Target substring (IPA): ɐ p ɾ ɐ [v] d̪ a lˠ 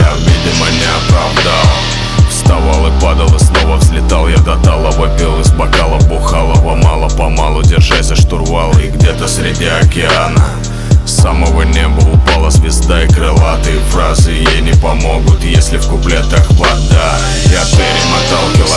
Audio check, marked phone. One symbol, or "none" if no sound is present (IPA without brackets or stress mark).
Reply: v